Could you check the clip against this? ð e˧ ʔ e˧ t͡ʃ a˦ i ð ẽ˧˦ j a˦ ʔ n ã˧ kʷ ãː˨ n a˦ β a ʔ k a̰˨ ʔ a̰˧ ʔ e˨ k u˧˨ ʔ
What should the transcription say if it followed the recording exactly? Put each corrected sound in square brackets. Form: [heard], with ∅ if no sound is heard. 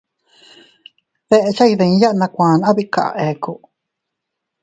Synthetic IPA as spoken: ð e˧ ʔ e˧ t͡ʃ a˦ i ð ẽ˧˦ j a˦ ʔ n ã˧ kʷ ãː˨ n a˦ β [i] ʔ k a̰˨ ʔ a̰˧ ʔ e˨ k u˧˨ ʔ